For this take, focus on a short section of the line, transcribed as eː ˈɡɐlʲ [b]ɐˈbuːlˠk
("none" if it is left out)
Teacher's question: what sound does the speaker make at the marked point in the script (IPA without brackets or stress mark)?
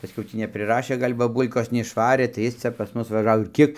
b